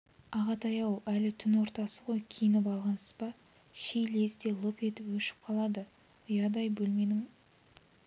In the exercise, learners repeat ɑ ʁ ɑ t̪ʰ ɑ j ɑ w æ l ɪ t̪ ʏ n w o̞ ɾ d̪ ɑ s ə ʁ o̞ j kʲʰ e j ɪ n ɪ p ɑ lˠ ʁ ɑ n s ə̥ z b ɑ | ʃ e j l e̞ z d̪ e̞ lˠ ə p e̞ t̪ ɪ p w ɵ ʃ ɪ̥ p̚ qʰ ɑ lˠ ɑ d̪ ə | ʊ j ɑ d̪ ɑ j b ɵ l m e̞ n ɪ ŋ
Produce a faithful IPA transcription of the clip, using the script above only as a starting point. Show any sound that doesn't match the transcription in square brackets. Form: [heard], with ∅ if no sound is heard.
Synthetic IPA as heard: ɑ ʁ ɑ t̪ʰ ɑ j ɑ w æ l ɪ [t̪ʰ] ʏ n w o̞ ɾ [t̪] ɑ s ə ʁ o̞ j kʲʰ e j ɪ n ɪ p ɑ lˠ ʁ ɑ n s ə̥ z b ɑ | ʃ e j l e̞ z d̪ e̞ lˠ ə p e̞ t̪ ɪ p w ɵ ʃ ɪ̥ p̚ qʰ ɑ lˠ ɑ d̪ ə | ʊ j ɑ d̪ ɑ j b ɵ l m e̞ n ɪ ŋ